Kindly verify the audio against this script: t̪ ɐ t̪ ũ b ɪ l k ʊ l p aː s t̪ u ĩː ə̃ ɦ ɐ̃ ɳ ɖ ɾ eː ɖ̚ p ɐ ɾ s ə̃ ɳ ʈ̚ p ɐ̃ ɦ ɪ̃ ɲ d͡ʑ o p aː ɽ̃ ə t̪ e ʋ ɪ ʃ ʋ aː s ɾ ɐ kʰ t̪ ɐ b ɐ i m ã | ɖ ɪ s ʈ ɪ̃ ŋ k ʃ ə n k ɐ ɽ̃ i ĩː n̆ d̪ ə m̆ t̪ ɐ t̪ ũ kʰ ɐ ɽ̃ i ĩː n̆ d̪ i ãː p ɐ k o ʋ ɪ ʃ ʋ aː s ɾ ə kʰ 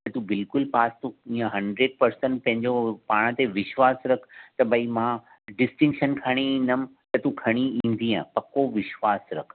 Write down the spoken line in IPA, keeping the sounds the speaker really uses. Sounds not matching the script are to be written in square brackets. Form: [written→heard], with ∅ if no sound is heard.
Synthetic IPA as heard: t̪ ɐ t̪ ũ b ɪ l k ʊ l p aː s t̪ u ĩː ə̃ ɦ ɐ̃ ɳ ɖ ɾ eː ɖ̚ p ɐ ɾ s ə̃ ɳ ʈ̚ p ɐ̃ ɦ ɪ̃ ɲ d͡ʑ o p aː ɽ̃ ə t̪ e ʋ ɪ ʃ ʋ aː s ɾ ɐ kʰ t̪ ɐ b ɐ i m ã | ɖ ɪ s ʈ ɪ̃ ŋ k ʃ ə n [k→kʰ] ɐ ɽ̃ i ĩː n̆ d̪ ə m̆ t̪ ɐ t̪ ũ kʰ ɐ ɽ̃ i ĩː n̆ d̪ i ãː p ɐ k o ʋ ɪ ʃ ʋ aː s ɾ [ə→ɐ] kʰ

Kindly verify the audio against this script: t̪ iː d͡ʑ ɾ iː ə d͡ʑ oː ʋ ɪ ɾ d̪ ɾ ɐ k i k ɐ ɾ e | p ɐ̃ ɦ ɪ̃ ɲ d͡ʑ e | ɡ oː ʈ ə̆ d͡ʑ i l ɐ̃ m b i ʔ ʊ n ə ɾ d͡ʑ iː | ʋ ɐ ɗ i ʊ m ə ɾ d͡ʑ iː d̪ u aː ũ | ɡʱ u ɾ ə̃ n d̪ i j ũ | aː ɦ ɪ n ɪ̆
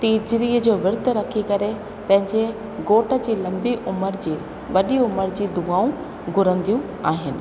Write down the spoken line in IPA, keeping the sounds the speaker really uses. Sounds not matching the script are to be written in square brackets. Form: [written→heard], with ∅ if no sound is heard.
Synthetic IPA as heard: t̪ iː d͡ʑ ɾ iː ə d͡ʑ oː ʋ ɪ ɾ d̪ ɾ ɐ [k→kʰ] i k ɐ ɾ e | p ɐ̃ ɦ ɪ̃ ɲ d͡ʑ e | ɡ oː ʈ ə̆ d͡ʑ [i→iː] l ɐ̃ m b i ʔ ʊ [n→m] ə ɾ d͡ʑ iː | ʋ ɐ ɗ i ʊ m ə ɾ d͡ʑ iː d̪ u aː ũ | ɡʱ [u→ʊ] ɾ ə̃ n d̪ i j ũ | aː ɦ ɪ n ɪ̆

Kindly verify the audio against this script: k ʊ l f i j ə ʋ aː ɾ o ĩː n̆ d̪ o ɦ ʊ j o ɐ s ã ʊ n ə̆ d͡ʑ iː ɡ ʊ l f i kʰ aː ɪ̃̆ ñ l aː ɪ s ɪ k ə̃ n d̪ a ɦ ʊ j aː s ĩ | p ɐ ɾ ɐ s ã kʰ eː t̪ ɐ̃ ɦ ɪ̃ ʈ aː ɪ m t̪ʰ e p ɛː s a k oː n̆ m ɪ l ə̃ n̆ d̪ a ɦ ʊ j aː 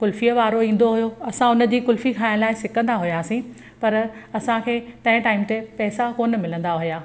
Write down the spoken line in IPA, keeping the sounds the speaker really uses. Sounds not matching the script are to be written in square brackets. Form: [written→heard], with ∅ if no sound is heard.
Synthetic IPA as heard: k ʊ l f i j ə ʋ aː ɾ o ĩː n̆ d̪ o ɦ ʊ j o ɐ s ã ʊ n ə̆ d͡ʑ iː [ɡ→k] ʊ l f i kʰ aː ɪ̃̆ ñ l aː ɪ s ɪ k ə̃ n d̪ a ɦ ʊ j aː s ĩ | p ɐ ɾ ɐ s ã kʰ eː t̪ ɐ̃ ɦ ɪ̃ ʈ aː ɪ m [t̪ʰ→t̪] e p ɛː s a k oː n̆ m ɪ l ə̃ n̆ d̪ a ɦ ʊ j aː

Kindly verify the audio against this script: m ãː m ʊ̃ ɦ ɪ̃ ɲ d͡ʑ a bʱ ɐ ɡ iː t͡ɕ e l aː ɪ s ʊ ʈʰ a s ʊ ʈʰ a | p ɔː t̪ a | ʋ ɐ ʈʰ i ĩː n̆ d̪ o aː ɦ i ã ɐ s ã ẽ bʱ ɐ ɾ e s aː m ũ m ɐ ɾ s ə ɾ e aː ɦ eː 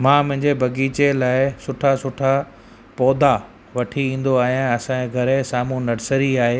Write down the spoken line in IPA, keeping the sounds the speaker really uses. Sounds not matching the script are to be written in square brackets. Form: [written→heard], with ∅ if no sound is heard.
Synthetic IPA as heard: m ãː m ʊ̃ ɦ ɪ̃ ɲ d͡ʑ [a→e] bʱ ɐ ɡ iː t͡ɕ e l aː ɪ s ʊ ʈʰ a s ʊ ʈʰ a | p ɔː [t̪→d̪] a | ʋ ɐ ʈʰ i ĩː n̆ d̪ o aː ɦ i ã ɐ s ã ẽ [bʱ→ɡʱ] ɐ ɾ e s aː m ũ [m→n] ɐ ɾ s ə ɾ [e→i] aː ɦ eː

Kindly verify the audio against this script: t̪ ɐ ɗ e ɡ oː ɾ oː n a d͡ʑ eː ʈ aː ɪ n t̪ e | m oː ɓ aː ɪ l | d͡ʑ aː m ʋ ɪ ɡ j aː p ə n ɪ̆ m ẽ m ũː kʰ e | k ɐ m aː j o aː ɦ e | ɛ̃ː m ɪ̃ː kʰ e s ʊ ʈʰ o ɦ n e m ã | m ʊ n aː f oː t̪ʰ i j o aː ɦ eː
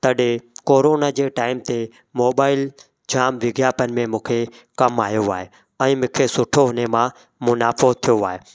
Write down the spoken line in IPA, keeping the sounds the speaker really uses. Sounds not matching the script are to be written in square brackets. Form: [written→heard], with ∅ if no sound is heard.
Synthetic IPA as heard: t̪ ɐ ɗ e [ɡ→k] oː ɾ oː n a d͡ʑ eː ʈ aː ɪ [n→m] t̪ e | m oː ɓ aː ɪ l | d͡ʑ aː m ʋ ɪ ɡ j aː p ə n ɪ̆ m ẽ m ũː kʰ e | k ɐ m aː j o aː ɦ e | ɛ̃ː m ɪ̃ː kʰ e s ʊ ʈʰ o ɦ n e m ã | m ʊ n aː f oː t̪ʰ i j o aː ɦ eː

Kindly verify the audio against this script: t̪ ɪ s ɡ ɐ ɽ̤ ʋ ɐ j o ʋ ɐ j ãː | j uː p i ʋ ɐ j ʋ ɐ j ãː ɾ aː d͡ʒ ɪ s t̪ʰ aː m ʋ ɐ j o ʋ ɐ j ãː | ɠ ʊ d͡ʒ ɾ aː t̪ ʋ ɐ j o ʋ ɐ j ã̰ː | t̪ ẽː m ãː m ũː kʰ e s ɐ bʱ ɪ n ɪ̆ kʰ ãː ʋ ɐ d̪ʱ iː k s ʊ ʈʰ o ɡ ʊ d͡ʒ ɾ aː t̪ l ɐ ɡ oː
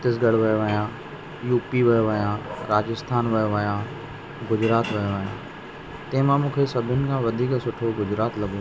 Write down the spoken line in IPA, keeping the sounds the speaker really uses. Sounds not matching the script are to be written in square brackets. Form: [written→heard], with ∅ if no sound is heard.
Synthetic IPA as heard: t̪ ɪ s ɡ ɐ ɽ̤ ʋ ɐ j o ʋ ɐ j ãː | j uː p i ʋ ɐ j ʋ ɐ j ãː ɾ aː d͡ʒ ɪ s t̪ʰ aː [m→n] ʋ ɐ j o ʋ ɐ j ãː | [ɠ→ɡ] ʊ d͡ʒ ɾ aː t̪ ʋ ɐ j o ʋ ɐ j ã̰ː | t̪ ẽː m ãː m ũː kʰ e s ɐ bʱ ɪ n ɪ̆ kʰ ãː ʋ ɐ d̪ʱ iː k s ʊ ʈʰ o ɡ ʊ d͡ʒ ɾ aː t̪ l ɐ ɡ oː

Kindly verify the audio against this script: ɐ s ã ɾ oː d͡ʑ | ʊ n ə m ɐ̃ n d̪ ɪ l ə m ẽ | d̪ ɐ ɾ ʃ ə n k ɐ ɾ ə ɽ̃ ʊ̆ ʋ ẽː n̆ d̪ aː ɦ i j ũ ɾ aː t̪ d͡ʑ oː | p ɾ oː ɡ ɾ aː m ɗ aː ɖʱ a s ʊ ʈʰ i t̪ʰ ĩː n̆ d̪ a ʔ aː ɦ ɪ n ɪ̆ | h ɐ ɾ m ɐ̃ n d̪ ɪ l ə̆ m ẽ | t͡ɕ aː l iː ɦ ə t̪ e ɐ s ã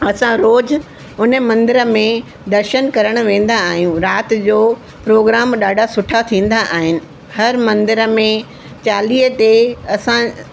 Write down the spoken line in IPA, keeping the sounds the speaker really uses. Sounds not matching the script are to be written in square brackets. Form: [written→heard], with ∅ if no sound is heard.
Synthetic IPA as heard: ɐ s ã ɾ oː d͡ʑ | ʊ n ə m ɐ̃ n d̪ ɪ [l→ɾ] ə m ẽ | d̪ ɐ ɾ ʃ ə n k ɐ ɾ ə ɽ̃ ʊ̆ ʋ ẽː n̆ d̪ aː ɦ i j ũ ɾ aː t̪ d͡ʑ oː | p ɾ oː ɡ ɾ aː m ɗ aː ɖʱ a s ʊ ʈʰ [i→a] t̪ʰ ĩː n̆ d̪ a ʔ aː ɦ ɪ n ɪ̆ | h ɐ ɾ m ɐ̃ n d̪ ɪ [l→ɾ] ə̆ m ẽ | t͡ɕ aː l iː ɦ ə t̪ e ɐ s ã

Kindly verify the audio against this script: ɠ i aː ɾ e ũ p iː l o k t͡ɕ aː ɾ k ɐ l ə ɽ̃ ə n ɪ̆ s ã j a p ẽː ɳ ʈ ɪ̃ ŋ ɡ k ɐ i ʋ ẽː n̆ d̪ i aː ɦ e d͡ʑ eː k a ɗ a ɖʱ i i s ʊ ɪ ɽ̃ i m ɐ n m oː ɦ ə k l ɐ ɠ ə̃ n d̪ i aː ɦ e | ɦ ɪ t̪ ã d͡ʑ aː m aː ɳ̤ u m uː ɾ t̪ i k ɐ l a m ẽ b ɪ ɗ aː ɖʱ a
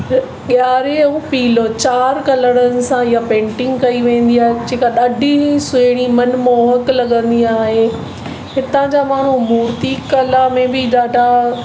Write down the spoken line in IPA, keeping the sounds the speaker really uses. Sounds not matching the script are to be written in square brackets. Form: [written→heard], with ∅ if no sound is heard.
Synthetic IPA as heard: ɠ [i→j] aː ɾ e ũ p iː l o [k→∅] t͡ɕ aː ɾ k ɐ l ə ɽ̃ ə n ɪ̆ s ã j a p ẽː ɳ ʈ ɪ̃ ŋ ɡ k ɐ i ʋ ẽː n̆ d̪ i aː ɦ e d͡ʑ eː k a ɗ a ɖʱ i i s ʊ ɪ ɽ̃ i m ɐ n m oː ɦ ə k l ɐ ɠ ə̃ n d̪ i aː ɦ e | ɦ ɪ t̪ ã d͡ʑ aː m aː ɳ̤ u m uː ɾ t̪ i k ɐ l a m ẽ b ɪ ɗ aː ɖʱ a

